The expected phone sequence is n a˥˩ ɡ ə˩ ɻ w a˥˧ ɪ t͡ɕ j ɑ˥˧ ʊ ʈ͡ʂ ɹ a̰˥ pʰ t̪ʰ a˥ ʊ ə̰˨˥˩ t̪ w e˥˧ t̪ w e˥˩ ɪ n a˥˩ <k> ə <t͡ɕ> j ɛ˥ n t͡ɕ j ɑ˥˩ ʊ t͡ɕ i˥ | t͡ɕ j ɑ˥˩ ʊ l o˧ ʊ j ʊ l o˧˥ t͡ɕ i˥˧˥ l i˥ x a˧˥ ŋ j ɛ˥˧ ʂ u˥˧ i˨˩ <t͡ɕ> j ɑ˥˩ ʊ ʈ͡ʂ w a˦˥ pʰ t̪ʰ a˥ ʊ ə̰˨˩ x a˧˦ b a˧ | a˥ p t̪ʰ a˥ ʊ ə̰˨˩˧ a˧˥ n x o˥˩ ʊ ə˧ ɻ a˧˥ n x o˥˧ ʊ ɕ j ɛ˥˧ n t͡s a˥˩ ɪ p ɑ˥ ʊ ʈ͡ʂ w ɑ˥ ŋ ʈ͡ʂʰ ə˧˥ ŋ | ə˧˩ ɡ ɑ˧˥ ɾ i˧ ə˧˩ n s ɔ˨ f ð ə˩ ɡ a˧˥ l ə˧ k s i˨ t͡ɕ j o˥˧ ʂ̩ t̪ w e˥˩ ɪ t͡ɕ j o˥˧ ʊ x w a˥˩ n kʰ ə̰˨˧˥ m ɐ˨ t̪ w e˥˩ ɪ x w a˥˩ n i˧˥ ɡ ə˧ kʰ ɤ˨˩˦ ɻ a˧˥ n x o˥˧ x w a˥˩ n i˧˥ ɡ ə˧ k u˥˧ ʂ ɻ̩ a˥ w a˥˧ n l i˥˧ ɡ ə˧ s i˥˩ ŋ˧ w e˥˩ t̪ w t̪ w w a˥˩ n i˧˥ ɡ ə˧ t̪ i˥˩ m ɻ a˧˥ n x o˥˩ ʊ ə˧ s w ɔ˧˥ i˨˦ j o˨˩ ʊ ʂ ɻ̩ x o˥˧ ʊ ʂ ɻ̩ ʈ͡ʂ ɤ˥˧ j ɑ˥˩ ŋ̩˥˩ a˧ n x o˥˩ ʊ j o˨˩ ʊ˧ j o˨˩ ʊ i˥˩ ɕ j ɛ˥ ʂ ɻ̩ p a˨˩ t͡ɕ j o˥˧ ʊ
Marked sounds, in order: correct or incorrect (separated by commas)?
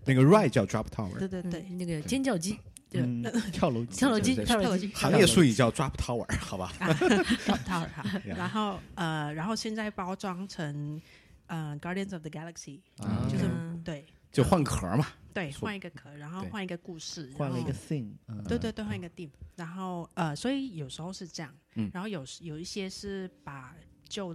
incorrect, correct, correct